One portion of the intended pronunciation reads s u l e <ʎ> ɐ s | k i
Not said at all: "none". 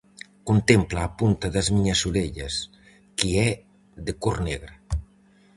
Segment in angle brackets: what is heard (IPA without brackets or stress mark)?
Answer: ʎ